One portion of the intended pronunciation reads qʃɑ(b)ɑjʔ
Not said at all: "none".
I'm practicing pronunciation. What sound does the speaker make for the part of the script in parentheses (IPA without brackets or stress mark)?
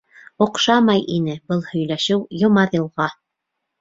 m